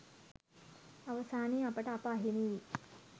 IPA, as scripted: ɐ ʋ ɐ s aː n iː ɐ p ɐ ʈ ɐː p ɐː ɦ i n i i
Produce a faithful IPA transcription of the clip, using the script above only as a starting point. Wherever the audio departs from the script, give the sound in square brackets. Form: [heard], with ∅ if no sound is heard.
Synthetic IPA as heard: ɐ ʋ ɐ s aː n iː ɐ p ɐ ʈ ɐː p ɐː ɦ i n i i